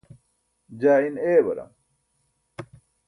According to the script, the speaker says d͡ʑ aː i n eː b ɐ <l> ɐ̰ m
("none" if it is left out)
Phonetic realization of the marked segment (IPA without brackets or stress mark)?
ɾ